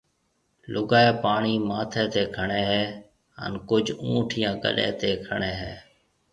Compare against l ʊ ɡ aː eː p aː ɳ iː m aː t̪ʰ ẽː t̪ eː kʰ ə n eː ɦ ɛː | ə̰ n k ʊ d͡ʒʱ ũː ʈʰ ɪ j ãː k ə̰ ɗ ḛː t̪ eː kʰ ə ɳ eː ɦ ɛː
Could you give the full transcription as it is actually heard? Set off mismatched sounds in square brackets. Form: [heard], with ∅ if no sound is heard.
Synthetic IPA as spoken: l ʊ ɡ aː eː p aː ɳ iː m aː t̪ʰ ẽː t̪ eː kʰ ə [ɳ] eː ɦ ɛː | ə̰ n k ʊ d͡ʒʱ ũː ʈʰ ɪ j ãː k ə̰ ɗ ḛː t̪ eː kʰ ə ɳ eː ɦ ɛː